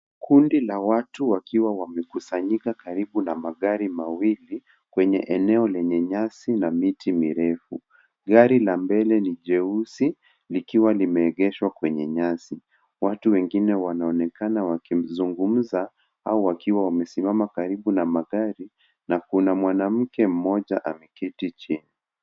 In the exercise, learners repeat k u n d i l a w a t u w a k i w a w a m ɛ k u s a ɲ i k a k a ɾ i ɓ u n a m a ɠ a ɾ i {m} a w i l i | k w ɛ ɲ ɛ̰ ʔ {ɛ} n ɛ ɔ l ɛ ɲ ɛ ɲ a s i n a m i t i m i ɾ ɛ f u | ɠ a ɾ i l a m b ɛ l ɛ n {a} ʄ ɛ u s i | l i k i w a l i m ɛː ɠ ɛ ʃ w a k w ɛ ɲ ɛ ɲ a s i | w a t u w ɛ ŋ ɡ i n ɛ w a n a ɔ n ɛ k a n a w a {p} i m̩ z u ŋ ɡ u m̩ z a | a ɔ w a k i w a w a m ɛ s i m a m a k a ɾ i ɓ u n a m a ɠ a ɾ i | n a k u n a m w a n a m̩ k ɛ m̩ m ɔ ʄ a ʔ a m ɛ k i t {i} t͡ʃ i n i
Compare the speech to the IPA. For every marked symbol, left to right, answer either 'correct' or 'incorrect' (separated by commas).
correct, correct, incorrect, incorrect, correct